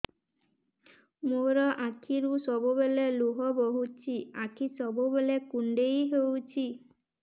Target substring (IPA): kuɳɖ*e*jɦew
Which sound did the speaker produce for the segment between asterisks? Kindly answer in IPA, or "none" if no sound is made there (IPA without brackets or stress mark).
e